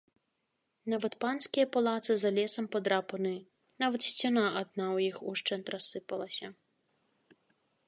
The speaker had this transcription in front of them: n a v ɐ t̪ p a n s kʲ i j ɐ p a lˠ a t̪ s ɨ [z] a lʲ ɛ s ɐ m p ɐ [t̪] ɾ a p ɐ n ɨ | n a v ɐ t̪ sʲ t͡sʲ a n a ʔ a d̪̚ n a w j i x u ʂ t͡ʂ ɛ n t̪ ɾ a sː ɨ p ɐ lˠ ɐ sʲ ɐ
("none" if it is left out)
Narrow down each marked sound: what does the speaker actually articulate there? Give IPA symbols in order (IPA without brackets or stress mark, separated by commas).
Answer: z, d̪